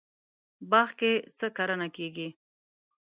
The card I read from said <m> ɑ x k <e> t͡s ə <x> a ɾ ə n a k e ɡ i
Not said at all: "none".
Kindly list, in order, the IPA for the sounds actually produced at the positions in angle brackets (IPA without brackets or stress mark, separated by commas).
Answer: b, e, k